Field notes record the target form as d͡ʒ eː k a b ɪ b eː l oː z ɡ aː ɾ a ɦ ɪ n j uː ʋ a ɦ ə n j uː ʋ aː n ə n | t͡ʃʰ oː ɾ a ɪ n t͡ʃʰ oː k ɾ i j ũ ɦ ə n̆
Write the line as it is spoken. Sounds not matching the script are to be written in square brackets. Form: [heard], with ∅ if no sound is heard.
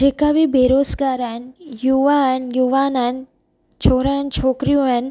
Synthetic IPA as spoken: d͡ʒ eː k a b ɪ b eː [ɾ] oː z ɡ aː ɾ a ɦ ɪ n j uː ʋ a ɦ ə n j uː ʋ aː n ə n | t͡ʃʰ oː ɾ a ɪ n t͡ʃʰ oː k ɾ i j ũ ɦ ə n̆